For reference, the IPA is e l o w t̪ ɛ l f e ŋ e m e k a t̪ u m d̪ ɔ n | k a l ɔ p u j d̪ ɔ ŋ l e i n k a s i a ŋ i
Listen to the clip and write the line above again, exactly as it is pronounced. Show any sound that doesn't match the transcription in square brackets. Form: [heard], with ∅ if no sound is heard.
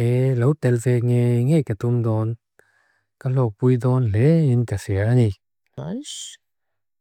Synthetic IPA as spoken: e l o w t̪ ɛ l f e ŋ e [ŋ] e k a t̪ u m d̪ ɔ n | k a l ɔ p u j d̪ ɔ [n] l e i n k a s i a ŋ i